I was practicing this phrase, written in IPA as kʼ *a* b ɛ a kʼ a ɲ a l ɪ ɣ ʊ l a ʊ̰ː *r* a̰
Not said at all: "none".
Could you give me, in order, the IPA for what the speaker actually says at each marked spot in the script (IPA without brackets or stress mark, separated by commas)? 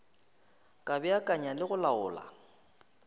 a, l